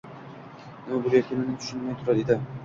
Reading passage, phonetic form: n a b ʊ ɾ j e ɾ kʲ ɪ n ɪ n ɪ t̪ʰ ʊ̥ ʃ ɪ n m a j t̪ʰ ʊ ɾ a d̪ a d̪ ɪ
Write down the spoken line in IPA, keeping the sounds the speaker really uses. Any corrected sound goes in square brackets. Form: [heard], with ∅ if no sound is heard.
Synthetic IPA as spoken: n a b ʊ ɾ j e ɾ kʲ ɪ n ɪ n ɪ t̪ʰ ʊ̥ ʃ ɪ n m a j t̪ʰ ʊ ɾ a d̪ [e] d̪ ɪ